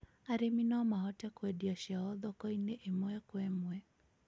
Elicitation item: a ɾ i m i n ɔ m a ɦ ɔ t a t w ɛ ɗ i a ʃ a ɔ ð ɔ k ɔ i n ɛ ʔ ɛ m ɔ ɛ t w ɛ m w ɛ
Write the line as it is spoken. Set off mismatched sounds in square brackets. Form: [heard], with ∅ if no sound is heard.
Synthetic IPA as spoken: a ɾ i m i n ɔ m a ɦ ɔ t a [k] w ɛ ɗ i a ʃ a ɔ ð ɔ k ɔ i n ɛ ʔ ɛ m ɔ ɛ [k] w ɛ m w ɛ

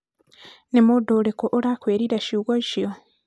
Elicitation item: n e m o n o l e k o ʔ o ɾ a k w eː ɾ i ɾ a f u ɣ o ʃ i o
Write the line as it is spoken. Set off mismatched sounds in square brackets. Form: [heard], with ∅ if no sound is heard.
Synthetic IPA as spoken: n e m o [d] o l e k o ʔ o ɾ a k w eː ɾ i ɾ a [ʃ] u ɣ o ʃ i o

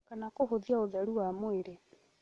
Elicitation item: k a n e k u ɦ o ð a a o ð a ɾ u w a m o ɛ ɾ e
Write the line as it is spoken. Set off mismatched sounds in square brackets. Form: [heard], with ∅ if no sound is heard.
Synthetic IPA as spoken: k a n [a] k [o] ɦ o ð [i] a o ð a ɾ u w a m o [e] ɾ e

